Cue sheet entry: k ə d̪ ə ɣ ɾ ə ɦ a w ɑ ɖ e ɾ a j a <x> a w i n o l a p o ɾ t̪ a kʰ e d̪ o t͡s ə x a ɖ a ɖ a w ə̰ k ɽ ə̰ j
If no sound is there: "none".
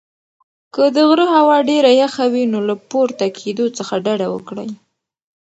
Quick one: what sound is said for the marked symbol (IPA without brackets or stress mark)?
x